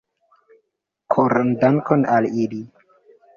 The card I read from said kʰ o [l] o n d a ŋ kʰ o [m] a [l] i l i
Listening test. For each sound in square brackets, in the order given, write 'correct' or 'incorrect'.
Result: incorrect: ɾ, incorrect: n, correct

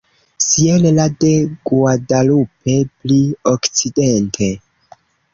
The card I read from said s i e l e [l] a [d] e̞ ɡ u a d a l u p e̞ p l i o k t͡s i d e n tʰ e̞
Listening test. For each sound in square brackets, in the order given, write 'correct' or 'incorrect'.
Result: correct, correct

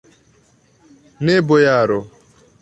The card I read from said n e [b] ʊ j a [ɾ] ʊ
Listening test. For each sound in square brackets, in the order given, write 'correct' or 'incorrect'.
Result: correct, correct

